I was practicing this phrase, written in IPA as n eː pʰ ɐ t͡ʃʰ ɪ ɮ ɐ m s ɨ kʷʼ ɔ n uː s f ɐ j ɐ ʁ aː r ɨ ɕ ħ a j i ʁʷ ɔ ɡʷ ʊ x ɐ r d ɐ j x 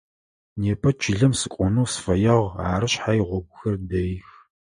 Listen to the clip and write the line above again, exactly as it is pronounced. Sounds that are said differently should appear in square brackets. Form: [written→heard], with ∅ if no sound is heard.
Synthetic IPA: n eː pʰ ɐ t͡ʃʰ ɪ ɮ ɐ m s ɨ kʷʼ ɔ n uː s f ɐ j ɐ ʁ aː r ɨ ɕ ħ a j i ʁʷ ɔ ɡʷ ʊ x ɐ r d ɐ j x